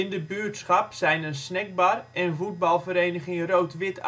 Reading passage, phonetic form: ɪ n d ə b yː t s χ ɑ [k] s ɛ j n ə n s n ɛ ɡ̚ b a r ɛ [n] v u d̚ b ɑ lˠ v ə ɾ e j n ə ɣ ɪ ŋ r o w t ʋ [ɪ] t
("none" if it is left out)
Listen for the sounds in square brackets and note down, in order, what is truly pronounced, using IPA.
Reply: p, n, ɪ

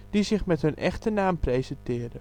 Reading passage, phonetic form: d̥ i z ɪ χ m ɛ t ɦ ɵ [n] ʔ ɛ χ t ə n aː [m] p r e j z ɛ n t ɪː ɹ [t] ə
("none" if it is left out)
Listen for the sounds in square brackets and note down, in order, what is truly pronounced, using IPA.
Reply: n, m, d

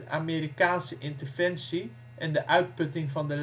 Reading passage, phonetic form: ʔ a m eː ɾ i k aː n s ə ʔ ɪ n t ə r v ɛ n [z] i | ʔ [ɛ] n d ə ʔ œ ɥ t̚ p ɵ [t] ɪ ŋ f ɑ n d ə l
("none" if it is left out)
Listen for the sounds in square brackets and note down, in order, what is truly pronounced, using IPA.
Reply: s, ɛ, t

